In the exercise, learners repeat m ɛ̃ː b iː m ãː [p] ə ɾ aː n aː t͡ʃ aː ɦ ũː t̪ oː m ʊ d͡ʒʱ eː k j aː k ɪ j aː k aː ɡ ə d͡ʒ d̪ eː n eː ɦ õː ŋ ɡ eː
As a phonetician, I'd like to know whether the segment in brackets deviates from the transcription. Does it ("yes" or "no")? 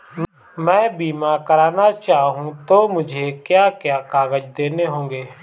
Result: yes